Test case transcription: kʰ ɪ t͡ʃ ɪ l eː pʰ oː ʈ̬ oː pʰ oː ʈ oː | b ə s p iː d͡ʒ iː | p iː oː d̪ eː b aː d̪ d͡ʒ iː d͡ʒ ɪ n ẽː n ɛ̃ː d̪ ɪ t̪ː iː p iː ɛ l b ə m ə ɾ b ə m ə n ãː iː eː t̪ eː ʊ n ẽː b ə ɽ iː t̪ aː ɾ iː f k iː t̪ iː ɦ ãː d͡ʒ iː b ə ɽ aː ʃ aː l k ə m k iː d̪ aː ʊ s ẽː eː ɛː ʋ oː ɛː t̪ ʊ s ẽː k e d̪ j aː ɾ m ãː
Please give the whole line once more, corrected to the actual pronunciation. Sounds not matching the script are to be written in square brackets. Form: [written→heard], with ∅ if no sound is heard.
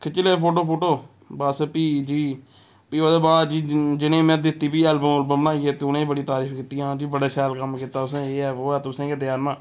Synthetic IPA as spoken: kʰ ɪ t͡ʃ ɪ l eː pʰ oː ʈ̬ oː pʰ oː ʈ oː | b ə s p iː d͡ʒ iː | p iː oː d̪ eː b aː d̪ d͡ʒ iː d͡ʒ ɪ n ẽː [n→m] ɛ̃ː d̪ ɪ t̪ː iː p iː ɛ l b ə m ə [ɾ→l] b ə m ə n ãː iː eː t̪ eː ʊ n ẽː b ə ɽ iː t̪ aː ɾ iː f k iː t̪ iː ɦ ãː d͡ʒ iː b ə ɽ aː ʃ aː l k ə m k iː [d̪→t̪] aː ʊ s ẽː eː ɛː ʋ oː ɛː t̪ ʊ s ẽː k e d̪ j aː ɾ m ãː